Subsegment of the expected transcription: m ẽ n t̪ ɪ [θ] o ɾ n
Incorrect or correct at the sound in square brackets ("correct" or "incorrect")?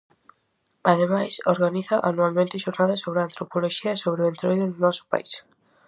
incorrect